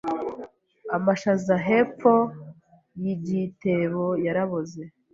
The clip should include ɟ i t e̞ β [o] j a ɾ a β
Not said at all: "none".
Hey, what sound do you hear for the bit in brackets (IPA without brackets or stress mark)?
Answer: o